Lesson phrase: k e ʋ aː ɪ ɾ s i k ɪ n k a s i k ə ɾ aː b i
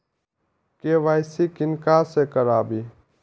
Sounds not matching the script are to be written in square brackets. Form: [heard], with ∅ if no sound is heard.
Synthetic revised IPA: k e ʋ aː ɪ [∅] s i k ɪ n k a s [e] k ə ɾ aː b i